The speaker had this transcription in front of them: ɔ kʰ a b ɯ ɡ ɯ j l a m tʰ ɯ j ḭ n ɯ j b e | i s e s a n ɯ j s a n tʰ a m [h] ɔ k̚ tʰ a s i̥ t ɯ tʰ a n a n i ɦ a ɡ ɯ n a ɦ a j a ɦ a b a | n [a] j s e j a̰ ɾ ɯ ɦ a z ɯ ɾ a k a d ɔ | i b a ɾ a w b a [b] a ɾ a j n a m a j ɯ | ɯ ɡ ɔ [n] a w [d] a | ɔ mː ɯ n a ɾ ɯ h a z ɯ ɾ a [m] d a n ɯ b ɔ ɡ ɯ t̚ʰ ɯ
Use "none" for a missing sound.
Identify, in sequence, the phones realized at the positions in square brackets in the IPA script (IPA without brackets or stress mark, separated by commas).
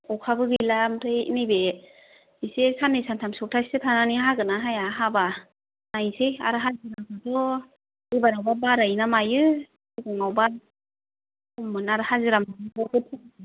s, a, b, ŋ, b, m